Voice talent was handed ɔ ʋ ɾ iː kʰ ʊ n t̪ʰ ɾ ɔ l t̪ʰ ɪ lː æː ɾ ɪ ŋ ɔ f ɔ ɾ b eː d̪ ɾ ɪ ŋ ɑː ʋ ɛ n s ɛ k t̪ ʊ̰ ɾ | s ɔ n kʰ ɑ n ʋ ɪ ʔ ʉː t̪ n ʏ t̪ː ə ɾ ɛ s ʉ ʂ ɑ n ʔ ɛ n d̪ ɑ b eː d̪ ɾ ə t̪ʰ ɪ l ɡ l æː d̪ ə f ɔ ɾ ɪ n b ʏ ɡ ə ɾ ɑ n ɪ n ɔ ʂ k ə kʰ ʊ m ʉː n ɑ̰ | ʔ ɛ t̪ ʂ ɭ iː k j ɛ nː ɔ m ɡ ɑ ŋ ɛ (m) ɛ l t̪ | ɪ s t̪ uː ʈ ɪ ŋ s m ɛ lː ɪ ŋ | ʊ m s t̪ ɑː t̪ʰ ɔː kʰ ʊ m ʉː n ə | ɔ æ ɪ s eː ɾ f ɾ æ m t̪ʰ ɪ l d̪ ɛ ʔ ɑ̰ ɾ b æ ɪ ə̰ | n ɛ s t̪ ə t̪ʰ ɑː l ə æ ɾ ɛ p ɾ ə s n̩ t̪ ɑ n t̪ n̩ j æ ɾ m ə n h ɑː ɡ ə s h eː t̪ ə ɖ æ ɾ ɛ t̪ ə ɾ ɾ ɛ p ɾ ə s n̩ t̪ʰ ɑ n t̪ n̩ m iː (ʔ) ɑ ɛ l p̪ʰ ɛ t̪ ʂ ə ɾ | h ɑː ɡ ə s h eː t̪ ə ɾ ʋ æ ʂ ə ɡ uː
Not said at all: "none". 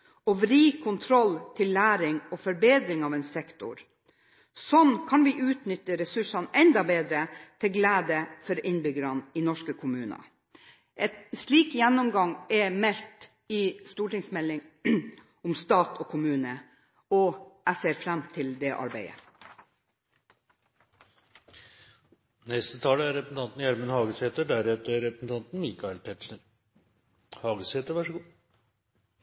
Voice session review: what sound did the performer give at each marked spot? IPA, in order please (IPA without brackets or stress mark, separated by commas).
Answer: m, k